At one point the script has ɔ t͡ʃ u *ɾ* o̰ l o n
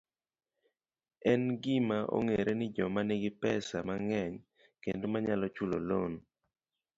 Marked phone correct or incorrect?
incorrect